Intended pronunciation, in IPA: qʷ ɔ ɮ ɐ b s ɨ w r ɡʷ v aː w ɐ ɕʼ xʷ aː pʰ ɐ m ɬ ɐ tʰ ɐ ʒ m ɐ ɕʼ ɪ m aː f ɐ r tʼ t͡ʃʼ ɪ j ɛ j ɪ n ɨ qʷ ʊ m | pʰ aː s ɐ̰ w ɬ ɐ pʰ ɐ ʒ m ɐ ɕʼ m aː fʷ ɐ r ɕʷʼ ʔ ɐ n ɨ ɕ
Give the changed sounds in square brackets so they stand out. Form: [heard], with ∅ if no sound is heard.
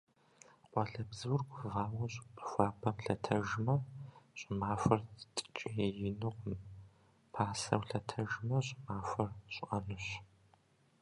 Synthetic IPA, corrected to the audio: qʷ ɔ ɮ ɐ b [z] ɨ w r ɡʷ v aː w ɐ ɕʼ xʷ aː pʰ ɐ m ɬ ɐ tʰ ɐ ʒ m ɐ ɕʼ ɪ m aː f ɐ r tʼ t͡ʃʼ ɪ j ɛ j ɪ n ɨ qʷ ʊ m | pʰ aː s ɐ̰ w ɬ ɐ [tʰ] ɐ ʒ m ɐ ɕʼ m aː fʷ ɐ r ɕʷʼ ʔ ɐ n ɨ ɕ